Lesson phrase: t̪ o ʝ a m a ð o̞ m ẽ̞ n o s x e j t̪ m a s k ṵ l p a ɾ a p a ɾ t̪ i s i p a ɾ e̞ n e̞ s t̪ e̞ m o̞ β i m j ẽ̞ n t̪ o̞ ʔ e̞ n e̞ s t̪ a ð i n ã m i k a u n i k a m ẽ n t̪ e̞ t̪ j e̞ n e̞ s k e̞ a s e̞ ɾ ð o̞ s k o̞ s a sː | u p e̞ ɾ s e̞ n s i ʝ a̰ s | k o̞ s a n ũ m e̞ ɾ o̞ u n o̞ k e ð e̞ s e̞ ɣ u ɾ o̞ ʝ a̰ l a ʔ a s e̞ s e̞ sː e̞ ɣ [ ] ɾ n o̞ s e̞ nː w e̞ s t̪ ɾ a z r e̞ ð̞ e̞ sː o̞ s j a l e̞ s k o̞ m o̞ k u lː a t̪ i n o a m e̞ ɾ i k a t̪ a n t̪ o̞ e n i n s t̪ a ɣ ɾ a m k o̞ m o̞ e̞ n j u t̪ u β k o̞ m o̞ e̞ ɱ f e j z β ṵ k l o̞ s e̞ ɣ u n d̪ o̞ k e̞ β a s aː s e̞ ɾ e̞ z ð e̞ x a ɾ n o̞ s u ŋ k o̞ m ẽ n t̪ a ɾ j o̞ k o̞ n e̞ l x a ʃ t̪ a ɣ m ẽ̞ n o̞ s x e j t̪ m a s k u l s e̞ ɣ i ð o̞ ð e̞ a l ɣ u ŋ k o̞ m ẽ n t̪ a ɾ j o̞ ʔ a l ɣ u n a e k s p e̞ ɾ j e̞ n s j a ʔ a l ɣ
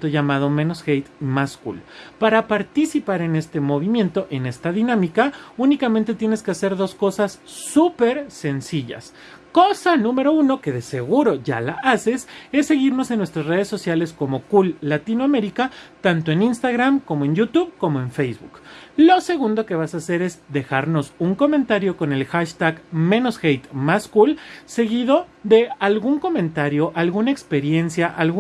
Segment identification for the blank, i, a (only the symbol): i